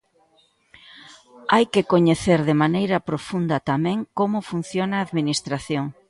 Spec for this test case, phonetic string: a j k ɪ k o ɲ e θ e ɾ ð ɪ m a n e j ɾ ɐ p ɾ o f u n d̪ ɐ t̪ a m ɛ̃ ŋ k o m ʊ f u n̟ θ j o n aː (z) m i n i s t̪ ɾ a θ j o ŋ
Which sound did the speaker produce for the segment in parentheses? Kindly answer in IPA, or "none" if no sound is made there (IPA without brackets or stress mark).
ð